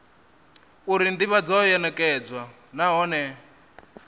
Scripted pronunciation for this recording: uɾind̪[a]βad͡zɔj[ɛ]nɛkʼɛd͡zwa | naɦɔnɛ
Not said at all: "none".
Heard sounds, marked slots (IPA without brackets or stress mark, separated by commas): i, ɛ